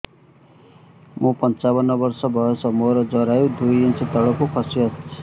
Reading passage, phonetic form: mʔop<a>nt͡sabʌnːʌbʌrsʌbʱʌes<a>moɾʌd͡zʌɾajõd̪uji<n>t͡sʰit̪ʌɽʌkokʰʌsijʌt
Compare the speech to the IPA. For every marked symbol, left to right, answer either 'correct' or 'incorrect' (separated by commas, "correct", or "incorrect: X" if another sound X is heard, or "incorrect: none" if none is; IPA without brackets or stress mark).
incorrect: ʌ, incorrect: ʌ, correct